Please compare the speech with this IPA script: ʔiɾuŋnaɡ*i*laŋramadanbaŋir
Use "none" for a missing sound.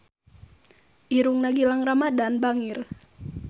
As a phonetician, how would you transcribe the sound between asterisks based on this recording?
i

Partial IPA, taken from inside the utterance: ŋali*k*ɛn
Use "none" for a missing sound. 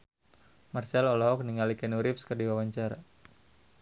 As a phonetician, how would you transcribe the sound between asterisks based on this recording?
k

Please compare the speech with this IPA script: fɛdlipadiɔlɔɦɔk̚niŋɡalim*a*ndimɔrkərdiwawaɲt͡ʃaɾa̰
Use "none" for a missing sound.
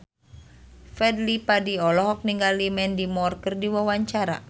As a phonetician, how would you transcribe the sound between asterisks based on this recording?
ɛ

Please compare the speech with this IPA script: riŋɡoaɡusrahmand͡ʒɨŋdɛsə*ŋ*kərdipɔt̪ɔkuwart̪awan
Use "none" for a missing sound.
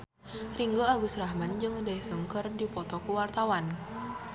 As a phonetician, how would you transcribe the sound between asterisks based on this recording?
ŋ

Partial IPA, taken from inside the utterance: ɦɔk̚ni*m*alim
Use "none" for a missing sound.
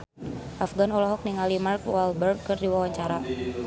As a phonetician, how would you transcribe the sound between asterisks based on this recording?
ŋ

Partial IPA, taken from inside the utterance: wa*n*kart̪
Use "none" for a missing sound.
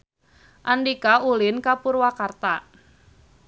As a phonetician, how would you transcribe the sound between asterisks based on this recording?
none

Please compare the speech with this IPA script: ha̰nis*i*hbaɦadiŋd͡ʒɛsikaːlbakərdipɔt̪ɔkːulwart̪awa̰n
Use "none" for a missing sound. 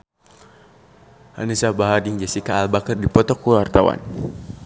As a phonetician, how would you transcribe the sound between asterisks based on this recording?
a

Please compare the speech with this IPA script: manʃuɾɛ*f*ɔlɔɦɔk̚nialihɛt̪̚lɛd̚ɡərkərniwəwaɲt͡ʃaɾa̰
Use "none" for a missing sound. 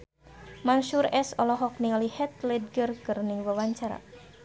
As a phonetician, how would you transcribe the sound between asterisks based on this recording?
s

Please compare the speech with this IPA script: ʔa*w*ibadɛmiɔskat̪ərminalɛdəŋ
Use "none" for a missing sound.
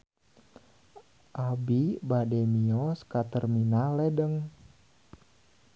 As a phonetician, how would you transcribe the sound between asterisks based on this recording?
b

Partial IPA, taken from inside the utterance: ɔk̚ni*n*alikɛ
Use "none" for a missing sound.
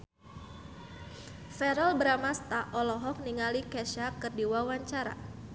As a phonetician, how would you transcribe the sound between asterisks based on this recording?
ŋ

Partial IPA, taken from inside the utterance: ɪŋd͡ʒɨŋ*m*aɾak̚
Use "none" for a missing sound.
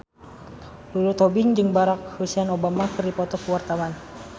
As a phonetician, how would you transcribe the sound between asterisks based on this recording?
b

